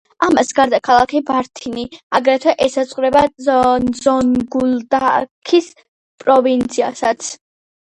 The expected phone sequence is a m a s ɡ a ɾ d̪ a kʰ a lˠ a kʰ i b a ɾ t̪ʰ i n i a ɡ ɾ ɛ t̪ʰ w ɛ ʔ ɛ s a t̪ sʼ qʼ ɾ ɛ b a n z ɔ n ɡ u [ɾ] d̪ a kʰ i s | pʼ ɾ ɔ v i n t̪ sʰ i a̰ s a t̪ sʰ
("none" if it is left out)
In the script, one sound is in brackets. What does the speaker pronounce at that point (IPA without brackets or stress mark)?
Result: l